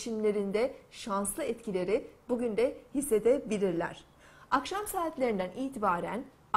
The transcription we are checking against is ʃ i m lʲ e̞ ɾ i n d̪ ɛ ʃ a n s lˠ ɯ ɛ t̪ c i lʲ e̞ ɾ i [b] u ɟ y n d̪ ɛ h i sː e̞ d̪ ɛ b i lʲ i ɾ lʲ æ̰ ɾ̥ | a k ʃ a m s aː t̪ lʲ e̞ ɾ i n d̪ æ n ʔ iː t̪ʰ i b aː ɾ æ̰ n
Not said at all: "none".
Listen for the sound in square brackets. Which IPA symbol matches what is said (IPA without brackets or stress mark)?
b